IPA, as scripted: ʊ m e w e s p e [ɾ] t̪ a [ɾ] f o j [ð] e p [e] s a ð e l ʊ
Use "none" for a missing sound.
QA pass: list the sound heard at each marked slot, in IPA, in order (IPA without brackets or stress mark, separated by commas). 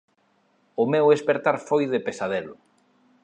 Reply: ɾ, ɾ, ð, e